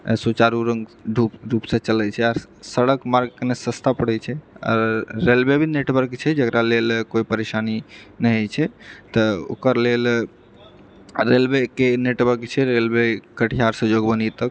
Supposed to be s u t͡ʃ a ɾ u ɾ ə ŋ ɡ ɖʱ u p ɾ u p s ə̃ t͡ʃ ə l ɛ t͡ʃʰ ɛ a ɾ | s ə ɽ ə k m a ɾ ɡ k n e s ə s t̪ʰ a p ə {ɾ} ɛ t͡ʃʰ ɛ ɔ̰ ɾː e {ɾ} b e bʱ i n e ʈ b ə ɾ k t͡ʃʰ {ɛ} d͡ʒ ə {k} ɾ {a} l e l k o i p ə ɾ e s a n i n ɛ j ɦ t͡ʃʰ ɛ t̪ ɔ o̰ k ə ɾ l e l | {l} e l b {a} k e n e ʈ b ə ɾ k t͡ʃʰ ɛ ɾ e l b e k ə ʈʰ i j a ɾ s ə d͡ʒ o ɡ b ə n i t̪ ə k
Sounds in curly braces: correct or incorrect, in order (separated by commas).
incorrect, incorrect, correct, correct, correct, incorrect, incorrect